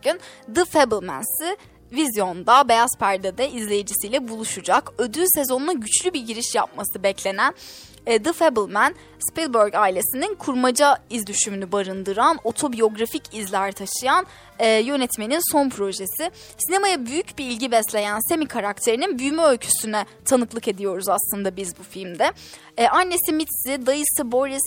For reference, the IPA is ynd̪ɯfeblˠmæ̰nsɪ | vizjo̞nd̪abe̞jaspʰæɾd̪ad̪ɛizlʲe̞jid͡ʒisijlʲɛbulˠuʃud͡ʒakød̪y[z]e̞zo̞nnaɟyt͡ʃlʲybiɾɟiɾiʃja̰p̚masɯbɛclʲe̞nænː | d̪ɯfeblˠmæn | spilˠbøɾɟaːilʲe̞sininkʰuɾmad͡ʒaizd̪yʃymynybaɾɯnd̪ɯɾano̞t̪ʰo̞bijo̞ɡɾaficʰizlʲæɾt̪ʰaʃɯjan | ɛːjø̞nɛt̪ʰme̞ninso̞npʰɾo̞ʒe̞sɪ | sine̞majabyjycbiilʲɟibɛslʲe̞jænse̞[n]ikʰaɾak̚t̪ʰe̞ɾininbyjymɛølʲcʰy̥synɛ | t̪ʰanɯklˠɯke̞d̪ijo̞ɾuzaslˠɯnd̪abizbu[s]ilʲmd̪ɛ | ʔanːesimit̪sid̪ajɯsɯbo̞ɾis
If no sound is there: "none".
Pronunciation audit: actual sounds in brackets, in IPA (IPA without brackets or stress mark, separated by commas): s, m, f